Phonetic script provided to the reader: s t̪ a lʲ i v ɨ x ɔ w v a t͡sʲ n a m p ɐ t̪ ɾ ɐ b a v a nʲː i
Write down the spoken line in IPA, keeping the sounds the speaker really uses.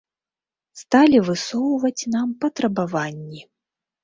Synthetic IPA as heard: s t̪ a lʲ i v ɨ s ɔ w v ɐ t͡sʲ n a m p ɐ t̪ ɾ ɐ b a v a nʲː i